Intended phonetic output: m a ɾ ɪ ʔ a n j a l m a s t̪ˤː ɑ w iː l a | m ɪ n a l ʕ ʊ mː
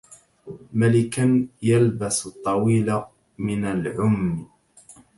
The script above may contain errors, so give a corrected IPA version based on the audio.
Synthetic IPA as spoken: m a l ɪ k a n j a l b a s t̪ˤː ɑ w iː l a | m ɪ n a l ʕ ʊ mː